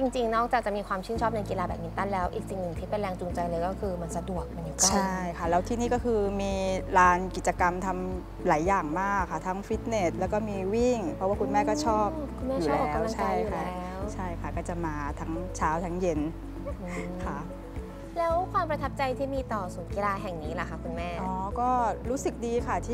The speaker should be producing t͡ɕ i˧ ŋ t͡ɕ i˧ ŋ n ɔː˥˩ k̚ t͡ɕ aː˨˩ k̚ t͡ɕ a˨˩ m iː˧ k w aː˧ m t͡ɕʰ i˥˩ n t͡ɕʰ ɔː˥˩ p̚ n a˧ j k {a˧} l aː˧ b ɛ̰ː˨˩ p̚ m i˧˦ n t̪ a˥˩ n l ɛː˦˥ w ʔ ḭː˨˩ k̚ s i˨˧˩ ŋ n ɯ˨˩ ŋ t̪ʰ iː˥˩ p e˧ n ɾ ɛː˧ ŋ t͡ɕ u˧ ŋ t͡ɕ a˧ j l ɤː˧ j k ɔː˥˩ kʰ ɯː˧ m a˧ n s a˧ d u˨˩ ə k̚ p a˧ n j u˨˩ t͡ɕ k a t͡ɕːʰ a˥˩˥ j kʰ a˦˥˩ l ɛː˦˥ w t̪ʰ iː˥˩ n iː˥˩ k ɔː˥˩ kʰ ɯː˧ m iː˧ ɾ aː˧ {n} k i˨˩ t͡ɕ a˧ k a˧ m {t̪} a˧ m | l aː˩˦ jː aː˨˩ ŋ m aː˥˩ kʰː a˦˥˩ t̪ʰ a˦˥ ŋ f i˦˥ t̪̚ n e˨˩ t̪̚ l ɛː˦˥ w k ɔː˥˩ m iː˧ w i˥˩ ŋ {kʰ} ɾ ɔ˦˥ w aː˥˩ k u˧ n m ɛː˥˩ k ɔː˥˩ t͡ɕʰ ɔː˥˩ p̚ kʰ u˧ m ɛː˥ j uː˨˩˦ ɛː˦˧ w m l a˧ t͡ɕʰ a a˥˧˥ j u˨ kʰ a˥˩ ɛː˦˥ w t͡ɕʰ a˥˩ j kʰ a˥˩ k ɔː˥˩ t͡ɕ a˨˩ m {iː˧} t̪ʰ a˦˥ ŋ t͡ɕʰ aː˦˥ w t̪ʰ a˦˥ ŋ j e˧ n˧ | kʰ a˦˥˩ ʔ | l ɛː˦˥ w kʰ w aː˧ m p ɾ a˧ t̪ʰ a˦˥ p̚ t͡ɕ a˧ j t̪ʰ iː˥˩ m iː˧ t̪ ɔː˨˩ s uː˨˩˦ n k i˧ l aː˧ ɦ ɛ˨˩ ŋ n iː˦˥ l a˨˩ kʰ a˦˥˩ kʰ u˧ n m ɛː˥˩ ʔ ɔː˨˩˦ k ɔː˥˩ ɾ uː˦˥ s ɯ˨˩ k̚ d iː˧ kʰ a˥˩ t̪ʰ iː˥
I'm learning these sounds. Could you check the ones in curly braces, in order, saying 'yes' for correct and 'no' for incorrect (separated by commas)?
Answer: no, yes, no, no, no